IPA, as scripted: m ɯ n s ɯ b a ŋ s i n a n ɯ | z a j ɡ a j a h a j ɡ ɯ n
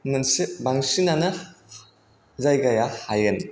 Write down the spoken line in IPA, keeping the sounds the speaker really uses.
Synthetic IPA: n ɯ n s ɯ b a ŋ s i n a n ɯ | z a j ɡ a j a h a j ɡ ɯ n

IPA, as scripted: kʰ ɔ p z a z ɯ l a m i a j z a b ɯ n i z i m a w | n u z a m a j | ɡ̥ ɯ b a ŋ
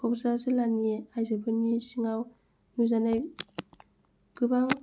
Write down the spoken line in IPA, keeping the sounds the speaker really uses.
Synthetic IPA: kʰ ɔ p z a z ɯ l a n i a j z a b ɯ n i s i ŋ a w | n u z a n a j | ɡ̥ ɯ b a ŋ

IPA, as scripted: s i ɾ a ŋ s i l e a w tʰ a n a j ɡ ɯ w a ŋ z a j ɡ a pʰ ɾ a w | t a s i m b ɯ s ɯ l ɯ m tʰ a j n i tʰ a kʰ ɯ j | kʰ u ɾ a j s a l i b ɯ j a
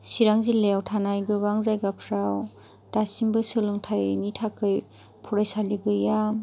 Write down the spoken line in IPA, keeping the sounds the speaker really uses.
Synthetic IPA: s i ɾ a ŋ z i l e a w tʰ a n a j ɡ ɯ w a ŋ z a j ɡ a pʰ ɾ a w | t a s i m b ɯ s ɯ l ɯ ŋ tʰ a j n i tʰ a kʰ ɯ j | pʰ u ɾ a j s a l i ɡ ɯ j a

